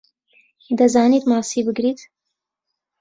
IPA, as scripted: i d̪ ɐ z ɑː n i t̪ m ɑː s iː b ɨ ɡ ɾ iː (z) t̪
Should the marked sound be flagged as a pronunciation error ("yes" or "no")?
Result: yes